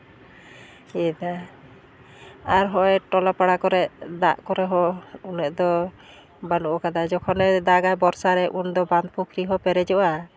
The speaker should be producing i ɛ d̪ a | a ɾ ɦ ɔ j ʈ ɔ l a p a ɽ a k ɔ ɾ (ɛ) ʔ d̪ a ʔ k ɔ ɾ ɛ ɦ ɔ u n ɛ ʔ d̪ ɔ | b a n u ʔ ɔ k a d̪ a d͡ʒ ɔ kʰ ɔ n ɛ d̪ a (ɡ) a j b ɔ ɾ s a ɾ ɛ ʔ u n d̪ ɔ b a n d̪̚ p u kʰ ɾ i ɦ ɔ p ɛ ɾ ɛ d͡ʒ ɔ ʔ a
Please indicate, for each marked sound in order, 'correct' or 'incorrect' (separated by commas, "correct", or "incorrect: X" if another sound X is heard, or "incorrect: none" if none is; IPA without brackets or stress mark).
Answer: correct, correct